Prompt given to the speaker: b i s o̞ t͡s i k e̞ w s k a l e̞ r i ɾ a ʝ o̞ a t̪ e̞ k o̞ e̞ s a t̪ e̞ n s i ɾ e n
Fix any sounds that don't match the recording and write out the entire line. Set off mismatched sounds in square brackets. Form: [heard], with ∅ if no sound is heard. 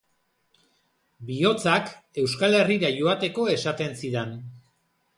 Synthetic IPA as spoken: b i [∅] o̞ t͡s [a] k e̞ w s k a l e̞ r i ɾ a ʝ o̞ a t̪ e̞ k o̞ e̞ s a t̪ e̞ n s i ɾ e n

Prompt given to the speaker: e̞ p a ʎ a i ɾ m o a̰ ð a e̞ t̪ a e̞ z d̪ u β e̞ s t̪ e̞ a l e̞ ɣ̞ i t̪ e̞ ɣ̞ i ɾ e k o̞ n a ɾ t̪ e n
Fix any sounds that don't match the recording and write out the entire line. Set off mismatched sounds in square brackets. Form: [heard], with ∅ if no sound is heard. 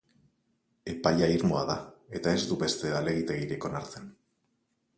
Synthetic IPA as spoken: e̞ p a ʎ a i ɾ m o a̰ ð a e̞ t̪ a e̞ z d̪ u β e̞ s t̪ e̞ a l e̞ ɣ̞ i t̪ e̞ ɣ̞ i ɾ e k o̞ n a ɾ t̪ e n

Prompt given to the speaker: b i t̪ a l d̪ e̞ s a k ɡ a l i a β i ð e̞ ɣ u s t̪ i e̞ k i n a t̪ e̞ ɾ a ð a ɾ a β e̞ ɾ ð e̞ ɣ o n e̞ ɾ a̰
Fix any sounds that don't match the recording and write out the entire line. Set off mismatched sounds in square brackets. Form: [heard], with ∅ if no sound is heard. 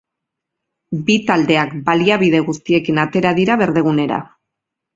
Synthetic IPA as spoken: b i t̪ a l d̪ e̞ [∅] a k [b] a l i a β i ð e̞ ɣ u s t̪ i e̞ k i n a t̪ e̞ ɾ a ð [i] ɾ a β e̞ ɾ ð e̞ ɣ [u] n e̞ ɾ a̰

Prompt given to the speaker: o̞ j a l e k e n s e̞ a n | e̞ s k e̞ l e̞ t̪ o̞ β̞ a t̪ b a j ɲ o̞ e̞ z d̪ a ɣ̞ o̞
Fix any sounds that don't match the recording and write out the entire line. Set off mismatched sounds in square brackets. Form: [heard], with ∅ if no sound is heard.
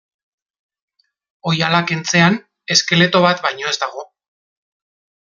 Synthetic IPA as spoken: o̞ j a l [a] k e n [t͡s] e̞ a n | e̞ s k e̞ l e̞ t̪ o̞ β̞ a t̪ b a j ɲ o̞ e̞ z d̪ a ɣ̞ o̞

